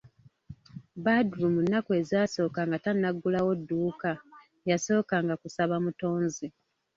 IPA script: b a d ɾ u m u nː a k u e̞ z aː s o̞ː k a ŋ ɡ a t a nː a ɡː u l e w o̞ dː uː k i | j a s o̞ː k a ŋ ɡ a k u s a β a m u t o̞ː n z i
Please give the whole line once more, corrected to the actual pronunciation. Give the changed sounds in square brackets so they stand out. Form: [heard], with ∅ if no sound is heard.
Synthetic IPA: b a d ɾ u m u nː a k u e̞ z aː s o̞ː k a ŋ ɡ a t a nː a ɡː u l [a] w o̞ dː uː k [a] | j a s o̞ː k a ŋ ɡ a k u s a β a m u t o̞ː n z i